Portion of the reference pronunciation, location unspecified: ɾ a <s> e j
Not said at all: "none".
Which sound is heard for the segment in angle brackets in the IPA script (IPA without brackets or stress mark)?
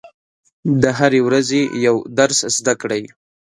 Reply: z